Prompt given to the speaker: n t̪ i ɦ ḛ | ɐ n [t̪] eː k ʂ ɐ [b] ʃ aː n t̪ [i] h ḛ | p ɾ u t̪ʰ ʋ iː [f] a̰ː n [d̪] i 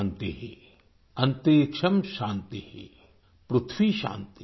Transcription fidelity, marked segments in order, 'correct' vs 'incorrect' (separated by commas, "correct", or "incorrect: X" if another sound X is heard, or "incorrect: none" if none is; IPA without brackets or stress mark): correct, incorrect: m, correct, incorrect: ʃ, incorrect: t̪